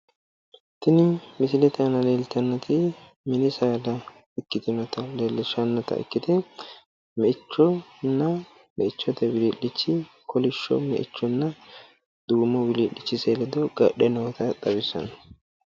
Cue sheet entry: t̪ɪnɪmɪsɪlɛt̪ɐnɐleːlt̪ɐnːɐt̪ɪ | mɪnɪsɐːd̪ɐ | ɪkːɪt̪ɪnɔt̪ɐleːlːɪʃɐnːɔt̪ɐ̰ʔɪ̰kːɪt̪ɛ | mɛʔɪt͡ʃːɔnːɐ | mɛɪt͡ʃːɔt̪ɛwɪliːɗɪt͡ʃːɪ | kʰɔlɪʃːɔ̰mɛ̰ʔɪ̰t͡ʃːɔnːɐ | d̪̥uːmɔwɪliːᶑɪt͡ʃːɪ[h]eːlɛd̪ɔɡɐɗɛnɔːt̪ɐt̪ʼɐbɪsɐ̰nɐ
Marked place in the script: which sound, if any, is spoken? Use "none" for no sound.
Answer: s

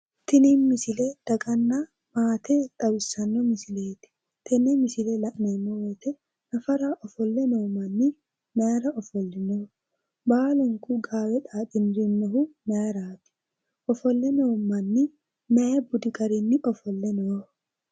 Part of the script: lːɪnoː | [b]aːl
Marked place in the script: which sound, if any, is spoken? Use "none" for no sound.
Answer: b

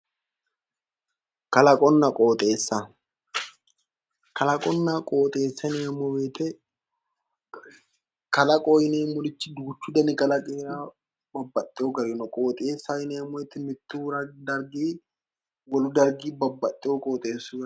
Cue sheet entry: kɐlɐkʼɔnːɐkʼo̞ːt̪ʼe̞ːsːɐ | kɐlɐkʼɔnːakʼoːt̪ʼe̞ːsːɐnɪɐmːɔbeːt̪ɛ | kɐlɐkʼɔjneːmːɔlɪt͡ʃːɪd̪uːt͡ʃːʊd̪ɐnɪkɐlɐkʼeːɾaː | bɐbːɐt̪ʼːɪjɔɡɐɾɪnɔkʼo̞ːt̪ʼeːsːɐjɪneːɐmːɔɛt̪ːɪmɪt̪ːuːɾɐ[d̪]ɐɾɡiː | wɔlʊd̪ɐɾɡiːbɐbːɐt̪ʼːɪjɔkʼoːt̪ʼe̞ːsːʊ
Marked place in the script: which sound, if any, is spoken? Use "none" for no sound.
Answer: d̪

